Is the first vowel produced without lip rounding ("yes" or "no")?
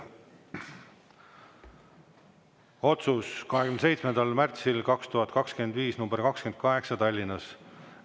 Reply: no